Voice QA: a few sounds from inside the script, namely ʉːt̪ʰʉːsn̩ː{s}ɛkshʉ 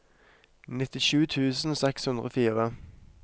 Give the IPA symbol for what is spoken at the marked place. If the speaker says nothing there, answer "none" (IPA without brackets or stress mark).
s